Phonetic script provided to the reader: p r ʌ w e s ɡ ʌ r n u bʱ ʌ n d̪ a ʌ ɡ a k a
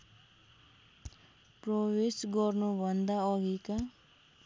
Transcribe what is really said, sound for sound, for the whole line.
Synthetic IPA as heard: p r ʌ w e s ɡ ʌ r n u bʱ ʌ n d̪ a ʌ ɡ i k a